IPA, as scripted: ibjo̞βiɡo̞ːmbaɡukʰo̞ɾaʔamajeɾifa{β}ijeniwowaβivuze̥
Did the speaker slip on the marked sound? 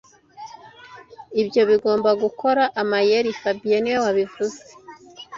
yes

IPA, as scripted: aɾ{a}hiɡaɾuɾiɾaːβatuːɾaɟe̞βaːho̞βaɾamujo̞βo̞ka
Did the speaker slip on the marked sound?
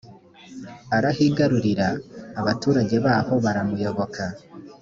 no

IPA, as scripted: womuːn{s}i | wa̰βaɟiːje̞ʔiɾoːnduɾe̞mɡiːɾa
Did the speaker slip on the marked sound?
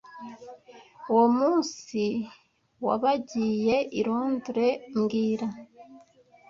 no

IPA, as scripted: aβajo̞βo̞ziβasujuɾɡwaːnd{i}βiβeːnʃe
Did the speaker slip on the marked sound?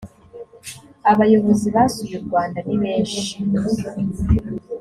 yes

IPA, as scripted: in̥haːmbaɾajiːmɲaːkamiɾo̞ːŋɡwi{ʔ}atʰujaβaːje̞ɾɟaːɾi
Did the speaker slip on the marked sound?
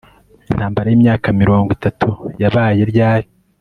yes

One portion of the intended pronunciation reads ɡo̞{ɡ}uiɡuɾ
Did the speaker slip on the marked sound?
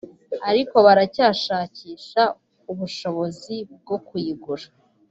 yes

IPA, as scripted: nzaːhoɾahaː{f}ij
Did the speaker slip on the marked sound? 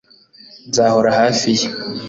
no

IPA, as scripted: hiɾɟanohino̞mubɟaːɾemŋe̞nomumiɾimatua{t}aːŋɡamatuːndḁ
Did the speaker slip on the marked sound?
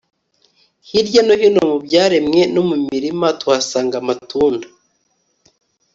yes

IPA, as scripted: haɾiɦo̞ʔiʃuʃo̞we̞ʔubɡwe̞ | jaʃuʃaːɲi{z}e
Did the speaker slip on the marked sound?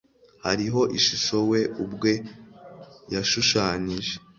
yes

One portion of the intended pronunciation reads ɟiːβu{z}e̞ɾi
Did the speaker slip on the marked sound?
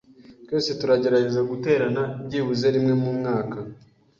no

